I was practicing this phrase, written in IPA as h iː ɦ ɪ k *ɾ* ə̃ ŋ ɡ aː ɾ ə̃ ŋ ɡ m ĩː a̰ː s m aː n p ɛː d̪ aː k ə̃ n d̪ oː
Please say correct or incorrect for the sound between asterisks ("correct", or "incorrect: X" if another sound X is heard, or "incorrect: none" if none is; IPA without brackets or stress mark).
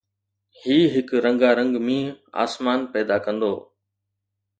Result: correct